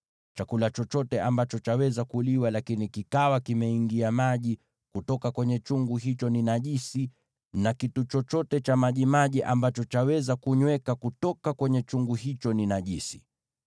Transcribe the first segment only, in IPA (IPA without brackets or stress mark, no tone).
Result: t͡ʃ